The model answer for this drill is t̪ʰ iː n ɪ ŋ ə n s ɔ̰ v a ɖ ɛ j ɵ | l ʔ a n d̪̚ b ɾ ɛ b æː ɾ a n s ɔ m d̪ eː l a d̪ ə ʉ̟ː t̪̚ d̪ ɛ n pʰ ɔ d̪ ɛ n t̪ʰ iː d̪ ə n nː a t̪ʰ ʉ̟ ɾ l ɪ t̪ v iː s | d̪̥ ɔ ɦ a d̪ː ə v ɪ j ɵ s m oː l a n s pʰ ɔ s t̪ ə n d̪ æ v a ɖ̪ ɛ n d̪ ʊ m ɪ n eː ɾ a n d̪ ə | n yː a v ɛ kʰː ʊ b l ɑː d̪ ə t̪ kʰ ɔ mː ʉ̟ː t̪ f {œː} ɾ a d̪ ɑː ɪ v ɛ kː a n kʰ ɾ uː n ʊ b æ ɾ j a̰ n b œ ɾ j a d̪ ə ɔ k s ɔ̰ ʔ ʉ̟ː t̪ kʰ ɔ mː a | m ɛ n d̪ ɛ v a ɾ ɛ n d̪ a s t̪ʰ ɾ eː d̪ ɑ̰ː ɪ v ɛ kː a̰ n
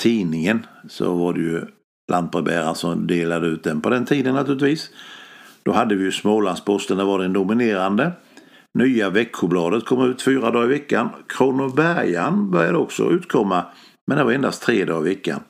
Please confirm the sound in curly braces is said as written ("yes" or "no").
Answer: no